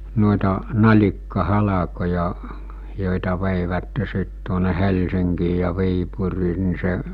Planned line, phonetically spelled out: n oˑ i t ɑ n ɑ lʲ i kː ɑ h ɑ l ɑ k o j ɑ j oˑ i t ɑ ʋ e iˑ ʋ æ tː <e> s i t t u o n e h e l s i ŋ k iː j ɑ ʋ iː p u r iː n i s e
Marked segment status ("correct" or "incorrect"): correct